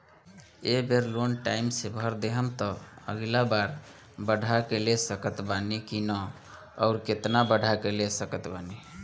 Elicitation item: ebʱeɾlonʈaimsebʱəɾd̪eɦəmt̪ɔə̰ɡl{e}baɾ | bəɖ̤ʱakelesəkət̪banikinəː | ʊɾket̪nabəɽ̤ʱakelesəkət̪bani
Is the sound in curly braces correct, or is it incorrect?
incorrect: a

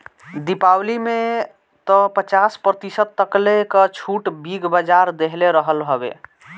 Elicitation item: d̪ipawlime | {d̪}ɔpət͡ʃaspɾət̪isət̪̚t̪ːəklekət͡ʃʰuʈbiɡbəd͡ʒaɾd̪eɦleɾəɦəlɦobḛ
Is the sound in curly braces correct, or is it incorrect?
incorrect: t̪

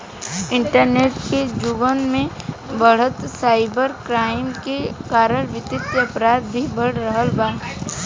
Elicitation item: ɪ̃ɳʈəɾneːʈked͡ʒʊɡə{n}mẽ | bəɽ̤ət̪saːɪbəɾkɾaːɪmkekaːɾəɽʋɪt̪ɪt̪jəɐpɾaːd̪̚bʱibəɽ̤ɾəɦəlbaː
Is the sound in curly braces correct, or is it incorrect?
correct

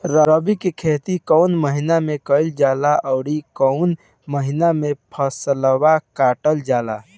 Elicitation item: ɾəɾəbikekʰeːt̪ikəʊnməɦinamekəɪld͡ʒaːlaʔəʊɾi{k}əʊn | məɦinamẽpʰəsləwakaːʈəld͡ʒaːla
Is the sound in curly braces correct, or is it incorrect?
correct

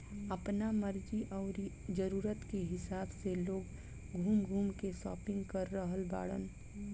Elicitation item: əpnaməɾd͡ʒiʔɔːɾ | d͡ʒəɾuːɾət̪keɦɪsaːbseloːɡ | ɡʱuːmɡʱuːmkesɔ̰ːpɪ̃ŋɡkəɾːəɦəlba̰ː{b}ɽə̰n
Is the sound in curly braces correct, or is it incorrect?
incorrect: none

